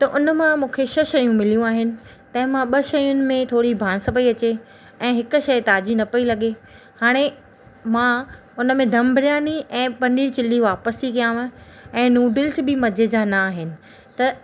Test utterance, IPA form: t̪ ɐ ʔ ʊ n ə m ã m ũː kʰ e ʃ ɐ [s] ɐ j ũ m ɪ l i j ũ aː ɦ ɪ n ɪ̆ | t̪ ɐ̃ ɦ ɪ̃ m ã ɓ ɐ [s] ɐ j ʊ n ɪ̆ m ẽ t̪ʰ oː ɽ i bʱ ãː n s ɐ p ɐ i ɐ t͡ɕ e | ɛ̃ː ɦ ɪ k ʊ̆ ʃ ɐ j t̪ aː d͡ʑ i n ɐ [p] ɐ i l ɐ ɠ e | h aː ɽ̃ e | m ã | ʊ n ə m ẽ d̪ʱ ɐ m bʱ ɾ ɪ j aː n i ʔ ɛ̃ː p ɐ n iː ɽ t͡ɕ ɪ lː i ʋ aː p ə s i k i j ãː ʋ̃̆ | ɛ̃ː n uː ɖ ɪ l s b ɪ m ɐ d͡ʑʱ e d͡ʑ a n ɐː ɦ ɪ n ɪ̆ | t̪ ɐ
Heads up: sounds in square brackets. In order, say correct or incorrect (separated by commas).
incorrect, incorrect, correct